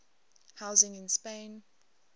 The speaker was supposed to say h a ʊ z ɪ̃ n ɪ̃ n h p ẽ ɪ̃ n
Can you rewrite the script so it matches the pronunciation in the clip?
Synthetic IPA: h a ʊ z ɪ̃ ŋ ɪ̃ n s p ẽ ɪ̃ n